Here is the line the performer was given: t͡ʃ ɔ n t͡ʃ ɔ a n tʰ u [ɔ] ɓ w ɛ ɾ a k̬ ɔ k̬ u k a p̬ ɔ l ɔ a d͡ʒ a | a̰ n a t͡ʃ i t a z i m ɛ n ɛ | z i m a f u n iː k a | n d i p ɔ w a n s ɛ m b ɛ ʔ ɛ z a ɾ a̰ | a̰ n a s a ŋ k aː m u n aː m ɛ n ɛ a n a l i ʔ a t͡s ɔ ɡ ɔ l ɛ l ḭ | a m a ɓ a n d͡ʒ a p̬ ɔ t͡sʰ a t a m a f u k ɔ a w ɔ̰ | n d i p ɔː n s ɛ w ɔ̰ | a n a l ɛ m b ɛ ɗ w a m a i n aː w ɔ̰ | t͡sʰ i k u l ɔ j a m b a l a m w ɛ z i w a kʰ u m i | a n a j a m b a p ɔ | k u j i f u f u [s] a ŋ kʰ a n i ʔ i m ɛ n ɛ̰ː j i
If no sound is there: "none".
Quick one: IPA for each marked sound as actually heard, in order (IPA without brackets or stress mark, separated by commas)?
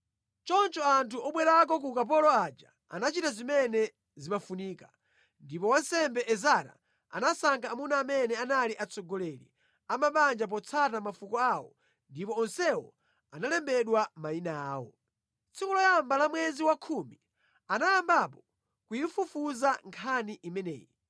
ɔ, z